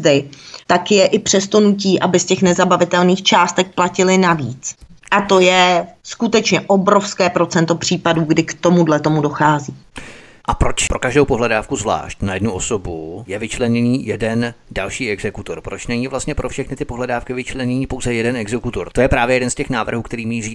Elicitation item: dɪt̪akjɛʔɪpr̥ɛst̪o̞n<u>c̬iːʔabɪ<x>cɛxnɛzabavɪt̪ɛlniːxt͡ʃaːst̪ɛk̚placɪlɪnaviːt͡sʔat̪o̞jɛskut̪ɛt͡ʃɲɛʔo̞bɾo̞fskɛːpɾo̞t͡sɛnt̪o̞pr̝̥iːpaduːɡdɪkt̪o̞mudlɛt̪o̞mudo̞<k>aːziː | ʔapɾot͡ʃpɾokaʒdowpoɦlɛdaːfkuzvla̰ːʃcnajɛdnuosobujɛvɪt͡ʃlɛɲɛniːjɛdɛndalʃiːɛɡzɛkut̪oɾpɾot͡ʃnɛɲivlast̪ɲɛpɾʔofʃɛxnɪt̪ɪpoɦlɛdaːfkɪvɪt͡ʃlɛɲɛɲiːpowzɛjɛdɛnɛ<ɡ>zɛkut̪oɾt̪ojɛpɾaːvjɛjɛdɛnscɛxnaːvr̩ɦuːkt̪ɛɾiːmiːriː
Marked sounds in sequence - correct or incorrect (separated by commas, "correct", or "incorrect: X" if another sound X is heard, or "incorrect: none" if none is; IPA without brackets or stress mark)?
correct, incorrect: s, incorrect: x, correct